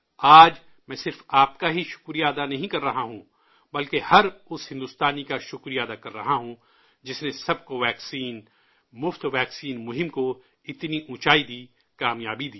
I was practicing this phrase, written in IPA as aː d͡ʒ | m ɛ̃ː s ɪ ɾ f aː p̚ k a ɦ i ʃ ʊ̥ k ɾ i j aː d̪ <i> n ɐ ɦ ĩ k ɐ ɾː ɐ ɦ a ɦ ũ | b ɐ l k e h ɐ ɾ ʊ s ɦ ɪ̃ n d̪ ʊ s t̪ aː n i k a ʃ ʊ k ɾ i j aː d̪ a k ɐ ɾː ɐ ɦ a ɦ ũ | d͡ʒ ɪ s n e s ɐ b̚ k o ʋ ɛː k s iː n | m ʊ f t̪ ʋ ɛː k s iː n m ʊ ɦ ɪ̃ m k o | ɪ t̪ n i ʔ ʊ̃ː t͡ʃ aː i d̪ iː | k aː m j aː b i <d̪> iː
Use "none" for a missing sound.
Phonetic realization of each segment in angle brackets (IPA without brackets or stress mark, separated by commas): a, d̪